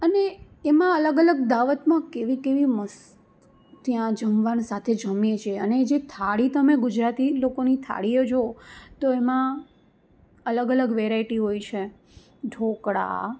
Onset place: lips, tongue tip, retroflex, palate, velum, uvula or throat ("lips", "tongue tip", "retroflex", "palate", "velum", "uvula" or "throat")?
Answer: tongue tip